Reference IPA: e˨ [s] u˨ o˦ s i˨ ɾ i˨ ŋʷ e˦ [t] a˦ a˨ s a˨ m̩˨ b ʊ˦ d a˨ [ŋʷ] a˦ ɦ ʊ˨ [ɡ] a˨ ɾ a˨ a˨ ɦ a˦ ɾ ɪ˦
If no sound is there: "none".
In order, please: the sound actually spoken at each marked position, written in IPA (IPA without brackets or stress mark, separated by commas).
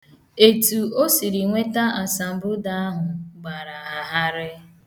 t, t, none, ɡ͡b